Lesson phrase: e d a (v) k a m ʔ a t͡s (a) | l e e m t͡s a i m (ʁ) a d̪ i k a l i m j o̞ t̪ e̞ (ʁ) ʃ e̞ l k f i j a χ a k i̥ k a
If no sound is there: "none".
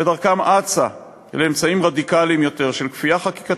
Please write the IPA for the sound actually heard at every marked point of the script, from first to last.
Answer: ʁ, a, ʁ, ʁ

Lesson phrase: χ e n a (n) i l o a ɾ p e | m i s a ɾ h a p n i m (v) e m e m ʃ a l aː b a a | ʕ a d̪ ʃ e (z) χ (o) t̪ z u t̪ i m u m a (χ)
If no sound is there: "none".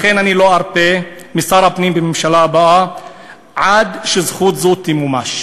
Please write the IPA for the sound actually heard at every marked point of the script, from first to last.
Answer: n, b, z, u, ʃ

